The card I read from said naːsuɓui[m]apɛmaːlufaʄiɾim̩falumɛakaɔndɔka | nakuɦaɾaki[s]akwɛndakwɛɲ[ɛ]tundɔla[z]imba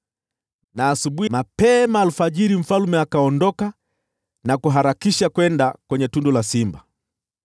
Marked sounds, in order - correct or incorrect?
correct, incorrect: ʃ, correct, incorrect: s

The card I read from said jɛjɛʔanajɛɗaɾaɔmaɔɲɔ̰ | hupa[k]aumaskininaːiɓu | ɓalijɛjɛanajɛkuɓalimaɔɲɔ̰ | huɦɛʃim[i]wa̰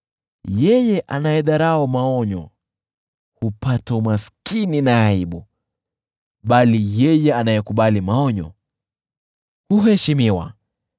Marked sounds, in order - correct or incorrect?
incorrect: t, correct

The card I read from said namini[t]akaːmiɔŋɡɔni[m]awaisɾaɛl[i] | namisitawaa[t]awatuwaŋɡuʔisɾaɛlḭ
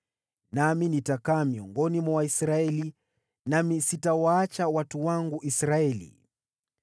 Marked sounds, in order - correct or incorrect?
correct, correct, correct, incorrect: t͡ʃ

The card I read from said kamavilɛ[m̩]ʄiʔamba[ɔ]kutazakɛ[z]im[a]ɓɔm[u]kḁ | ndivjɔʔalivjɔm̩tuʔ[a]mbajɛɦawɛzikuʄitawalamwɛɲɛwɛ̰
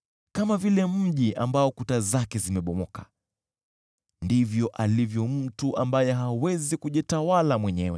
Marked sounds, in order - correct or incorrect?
correct, correct, correct, incorrect: ɛ, incorrect: ɔ, correct

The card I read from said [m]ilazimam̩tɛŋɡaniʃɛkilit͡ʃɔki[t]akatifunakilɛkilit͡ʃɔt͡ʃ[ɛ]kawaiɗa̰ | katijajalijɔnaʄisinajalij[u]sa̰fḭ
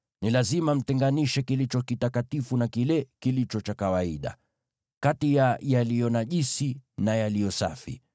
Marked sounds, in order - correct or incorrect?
incorrect: n, correct, incorrect: a, incorrect: ɔ

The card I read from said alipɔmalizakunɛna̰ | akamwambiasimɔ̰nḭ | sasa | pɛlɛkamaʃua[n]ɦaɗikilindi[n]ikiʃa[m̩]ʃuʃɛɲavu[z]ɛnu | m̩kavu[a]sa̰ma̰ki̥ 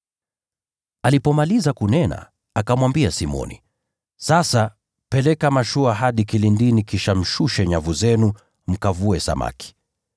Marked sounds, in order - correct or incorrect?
incorrect: none, correct, correct, correct, incorrect: ɛ

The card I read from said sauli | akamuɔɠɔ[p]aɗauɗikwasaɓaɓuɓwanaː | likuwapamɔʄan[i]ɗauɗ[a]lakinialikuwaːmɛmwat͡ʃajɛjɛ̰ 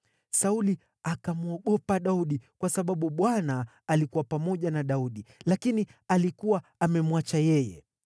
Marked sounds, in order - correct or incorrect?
correct, incorrect: a, incorrect: i

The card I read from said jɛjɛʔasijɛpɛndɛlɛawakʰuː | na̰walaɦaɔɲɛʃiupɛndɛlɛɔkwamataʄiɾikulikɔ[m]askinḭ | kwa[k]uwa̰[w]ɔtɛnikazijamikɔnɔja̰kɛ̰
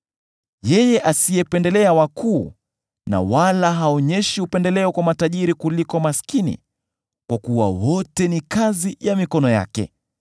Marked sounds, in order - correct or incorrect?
correct, correct, correct

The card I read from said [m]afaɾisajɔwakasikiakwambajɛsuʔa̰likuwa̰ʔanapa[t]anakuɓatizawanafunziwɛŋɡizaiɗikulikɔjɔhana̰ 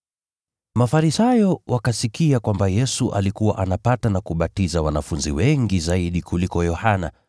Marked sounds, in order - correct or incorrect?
correct, correct

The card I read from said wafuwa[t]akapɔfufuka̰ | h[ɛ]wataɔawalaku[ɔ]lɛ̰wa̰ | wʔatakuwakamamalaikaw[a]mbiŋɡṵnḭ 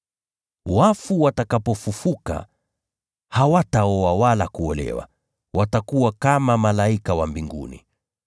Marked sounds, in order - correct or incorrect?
correct, incorrect: a, correct, correct

